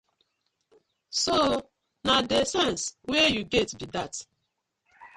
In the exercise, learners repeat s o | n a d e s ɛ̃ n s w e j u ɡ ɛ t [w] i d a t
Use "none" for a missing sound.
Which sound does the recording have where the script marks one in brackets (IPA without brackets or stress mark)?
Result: b